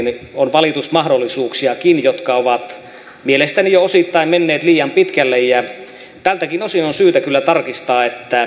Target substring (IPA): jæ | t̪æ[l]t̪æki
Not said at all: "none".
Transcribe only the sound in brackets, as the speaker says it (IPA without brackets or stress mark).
l